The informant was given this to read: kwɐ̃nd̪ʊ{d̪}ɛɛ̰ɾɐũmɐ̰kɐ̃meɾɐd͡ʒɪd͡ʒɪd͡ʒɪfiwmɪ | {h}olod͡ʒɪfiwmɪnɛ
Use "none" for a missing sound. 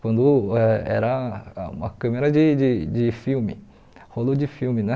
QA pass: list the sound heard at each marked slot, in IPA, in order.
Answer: none, h

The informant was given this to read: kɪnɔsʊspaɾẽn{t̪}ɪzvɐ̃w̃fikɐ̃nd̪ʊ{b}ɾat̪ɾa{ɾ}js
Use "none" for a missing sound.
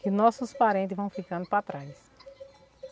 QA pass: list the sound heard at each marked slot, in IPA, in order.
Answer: t̪, p, none

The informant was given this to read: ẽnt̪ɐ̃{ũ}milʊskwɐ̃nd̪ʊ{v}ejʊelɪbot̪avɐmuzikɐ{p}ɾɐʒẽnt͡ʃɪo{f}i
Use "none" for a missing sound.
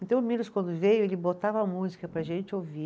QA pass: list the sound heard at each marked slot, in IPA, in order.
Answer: w̃, v, p, v

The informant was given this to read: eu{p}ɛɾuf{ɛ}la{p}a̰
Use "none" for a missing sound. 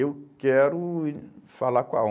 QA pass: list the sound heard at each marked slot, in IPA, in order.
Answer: k, a, k

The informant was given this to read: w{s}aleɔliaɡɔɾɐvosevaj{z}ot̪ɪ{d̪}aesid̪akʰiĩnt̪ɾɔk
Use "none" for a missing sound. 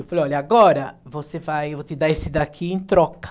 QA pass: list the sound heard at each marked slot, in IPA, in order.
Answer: f, v, d̪

